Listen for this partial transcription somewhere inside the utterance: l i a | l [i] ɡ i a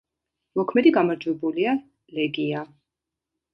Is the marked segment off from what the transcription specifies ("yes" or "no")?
yes